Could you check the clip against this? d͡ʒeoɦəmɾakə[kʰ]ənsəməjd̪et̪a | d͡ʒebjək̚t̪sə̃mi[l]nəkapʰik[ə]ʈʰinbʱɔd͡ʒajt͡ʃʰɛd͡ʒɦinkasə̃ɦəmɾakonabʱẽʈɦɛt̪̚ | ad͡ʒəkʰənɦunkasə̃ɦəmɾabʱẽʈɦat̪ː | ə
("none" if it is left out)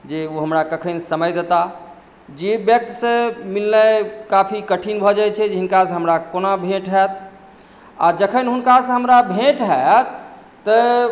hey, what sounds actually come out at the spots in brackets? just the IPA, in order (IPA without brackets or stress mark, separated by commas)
kʰ, l, ə